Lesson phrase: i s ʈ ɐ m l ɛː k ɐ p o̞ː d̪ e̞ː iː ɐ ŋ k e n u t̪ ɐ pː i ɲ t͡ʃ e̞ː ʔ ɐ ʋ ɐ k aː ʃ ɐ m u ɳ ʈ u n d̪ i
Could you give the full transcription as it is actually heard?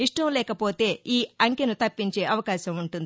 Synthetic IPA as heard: i ʂ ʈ ɐ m l ɛː k ɐ p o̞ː t̪ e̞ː iː ɐ ŋ k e n u t̪ ɐ pː i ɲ t͡ʃ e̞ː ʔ ɐ ʋ ɐ k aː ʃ ɐ m u ɳ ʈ u n d̪ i